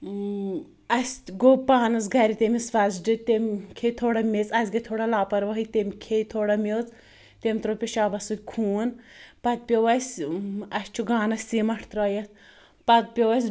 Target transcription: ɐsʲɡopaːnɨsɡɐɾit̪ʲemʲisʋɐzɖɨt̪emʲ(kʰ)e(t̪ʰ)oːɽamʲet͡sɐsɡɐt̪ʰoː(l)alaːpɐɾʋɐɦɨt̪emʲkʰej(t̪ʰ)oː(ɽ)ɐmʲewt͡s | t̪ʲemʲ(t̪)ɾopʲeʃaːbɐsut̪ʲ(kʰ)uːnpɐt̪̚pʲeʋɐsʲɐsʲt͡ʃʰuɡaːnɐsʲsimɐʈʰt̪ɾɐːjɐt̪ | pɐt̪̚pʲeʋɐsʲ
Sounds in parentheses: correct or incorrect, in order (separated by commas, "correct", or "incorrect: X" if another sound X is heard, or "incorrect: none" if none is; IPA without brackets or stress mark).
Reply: correct, correct, incorrect: ɽ, correct, correct, correct, correct